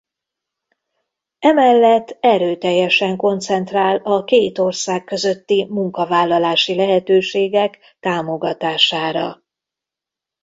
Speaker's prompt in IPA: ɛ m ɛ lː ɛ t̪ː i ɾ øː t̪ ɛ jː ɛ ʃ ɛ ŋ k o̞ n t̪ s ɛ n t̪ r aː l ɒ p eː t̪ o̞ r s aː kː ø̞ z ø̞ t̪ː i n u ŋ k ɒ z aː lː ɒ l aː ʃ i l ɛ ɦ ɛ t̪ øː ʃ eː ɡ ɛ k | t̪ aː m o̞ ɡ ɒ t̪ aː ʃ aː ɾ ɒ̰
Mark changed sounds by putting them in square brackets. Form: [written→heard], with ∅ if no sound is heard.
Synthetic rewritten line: ɛ m ɛ lː ɛ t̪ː [i→ɛ] ɾ øː t̪ ɛ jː ɛ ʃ ɛ ŋ k o̞ n t̪ s ɛ n t̪ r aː l ɒ [p→k] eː t̪ o̞ r s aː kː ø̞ z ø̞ t̪ː i [n→m] u ŋ k ɒ [z→v] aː lː ɒ l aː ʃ i l ɛ ɦ ɛ t̪ øː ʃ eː ɡ ɛ k | t̪ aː m o̞ ɡ ɒ t̪ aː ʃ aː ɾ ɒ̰

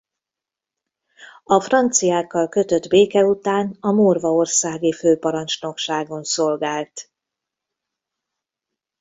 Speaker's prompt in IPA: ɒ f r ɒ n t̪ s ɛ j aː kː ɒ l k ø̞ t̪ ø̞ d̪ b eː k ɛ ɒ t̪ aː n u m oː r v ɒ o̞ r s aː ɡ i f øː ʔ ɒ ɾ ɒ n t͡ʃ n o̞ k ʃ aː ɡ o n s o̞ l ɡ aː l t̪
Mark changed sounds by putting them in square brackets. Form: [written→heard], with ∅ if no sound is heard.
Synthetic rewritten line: ɒ f r ɒ n t̪ s [ɛ→i] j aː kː ɒ l k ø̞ t̪ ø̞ d̪ b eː k ɛ [ɒ→u] t̪ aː n [u→ɒ] m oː r v ɒ o̞ r s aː ɡ i f øː [ʔ→p] ɒ ɾ ɒ n t͡ʃ n o̞ k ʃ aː ɡ o n s o̞ l ɡ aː l t̪

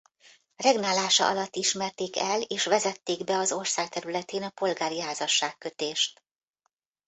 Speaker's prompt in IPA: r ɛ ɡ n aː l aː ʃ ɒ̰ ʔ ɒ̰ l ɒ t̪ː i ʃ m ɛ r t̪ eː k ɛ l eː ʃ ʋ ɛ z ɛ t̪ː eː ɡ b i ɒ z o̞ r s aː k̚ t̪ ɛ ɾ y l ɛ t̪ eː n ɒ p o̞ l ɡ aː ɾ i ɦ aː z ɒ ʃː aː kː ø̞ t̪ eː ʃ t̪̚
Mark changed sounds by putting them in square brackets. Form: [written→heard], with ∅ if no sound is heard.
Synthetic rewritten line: r ɛ ɡ n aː l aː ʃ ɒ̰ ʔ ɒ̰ l ɒ t̪ː i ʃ m ɛ r t̪ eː k ɛ l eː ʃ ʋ ɛ z ɛ t̪ː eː ɡ b [i→ɛ] ɒ z o̞ r s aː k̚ t̪ ɛ ɾ y l ɛ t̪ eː n ɒ p o̞ l ɡ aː ɾ i ɦ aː z ɒ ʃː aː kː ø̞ t̪ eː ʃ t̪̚

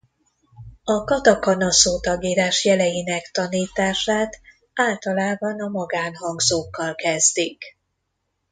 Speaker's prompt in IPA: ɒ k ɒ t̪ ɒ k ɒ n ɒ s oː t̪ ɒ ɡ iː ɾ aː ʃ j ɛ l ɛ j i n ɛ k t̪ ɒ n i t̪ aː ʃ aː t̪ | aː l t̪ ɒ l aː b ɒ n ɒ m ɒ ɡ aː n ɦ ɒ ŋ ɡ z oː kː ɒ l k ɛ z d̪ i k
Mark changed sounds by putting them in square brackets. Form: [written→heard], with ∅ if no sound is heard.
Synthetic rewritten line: ɒ k ɒ t̪ ɒ k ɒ n ɒ s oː t̪ ɒ ɡ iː ɾ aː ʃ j ɛ l ɛ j i n ɛ k t̪ ɒ n [i→iː] t̪ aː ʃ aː t̪ | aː l t̪ ɒ l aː b ɒ n ɒ m ɒ ɡ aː n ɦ ɒ ŋ ɡ z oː kː ɒ l k ɛ z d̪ i k

